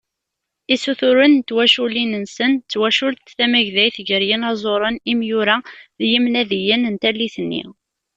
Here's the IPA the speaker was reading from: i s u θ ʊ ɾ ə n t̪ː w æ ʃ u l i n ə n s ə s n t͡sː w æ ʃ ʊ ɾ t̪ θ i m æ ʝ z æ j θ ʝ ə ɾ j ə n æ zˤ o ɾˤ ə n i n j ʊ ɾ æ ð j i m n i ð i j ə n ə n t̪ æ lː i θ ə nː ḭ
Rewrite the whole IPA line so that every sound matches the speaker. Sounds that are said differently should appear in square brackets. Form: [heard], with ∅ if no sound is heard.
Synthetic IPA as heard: i s u θ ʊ ɾ ə n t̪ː w æ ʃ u l i n ə n s ə [∅] n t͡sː w æ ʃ ʊ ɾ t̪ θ [æ] m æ ʝ [ð] æ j θ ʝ ə ɾ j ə n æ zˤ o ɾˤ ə n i [m] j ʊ ɾ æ ð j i m n [æ] ð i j ə n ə n t̪ æ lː i θ ə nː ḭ